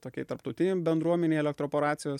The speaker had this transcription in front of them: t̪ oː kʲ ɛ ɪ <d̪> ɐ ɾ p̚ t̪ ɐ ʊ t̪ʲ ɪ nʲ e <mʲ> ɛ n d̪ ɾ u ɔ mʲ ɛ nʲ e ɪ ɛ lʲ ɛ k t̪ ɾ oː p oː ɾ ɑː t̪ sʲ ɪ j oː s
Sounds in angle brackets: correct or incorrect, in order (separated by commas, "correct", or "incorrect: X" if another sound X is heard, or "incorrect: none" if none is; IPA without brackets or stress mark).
incorrect: t̪, incorrect: bʲ